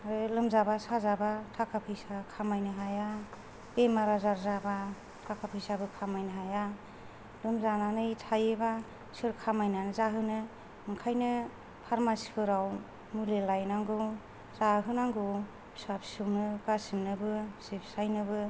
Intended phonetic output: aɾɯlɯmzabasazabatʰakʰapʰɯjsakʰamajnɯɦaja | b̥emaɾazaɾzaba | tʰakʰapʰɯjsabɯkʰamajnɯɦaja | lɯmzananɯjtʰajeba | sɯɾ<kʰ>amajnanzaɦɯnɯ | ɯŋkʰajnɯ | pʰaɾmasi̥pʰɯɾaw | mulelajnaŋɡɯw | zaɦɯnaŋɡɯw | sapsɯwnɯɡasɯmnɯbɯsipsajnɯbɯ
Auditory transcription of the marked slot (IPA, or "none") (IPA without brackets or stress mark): kʰ